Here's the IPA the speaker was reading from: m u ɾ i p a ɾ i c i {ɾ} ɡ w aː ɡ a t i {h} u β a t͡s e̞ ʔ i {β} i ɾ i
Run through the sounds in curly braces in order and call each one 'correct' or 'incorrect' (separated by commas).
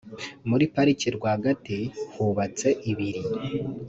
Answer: correct, correct, correct